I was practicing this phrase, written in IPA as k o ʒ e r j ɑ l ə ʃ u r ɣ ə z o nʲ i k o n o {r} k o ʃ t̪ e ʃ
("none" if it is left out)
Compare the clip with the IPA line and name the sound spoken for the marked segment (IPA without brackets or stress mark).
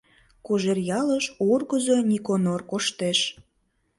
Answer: r